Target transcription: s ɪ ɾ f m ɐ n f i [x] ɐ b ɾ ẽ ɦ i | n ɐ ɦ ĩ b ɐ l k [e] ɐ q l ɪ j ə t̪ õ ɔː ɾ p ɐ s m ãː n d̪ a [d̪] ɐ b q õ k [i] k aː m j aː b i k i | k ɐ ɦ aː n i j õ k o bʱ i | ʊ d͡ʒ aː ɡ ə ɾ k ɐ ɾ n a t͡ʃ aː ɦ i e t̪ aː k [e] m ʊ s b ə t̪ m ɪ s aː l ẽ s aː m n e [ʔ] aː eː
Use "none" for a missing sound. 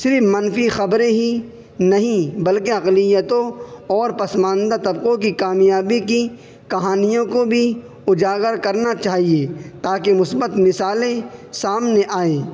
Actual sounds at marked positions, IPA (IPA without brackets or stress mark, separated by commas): x, e, t̪, i, e, ʔ